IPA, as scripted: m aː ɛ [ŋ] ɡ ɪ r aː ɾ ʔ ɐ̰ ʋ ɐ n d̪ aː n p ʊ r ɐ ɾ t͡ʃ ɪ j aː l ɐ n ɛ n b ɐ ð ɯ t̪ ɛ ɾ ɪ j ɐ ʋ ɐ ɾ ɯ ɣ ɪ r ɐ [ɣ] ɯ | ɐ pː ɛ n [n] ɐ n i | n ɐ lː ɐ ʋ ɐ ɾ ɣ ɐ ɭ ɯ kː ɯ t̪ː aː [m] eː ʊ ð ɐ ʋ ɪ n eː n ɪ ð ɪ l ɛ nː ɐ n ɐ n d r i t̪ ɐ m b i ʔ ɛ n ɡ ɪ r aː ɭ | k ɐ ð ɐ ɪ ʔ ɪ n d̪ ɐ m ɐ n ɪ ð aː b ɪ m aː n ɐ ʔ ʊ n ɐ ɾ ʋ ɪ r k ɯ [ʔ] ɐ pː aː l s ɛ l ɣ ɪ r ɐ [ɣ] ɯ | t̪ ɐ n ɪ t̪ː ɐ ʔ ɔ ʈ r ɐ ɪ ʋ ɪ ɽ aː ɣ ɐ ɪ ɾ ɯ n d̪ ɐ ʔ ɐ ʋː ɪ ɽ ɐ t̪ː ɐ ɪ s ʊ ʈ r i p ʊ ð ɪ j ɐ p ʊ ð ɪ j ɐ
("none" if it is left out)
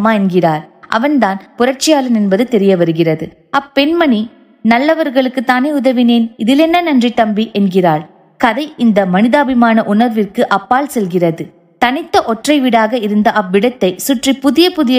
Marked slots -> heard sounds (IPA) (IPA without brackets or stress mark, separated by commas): n, ð, m, n, ʔ, ð